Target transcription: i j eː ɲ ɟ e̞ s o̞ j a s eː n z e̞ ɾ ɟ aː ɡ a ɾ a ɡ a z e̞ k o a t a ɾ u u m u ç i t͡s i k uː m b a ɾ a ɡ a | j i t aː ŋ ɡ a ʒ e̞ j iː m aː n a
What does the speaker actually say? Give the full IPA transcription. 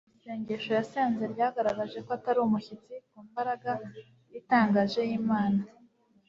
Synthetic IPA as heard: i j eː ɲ ɟ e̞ ʃ o̞ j a s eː n z e̞ ɾ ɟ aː ɡ a ɾ a ɡ a ʒ e̞ k o a t a ɾ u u m u ç i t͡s i k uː m b a ɾ a ɡ a | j i t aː ŋ ɡ a ʒ e̞ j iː m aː n a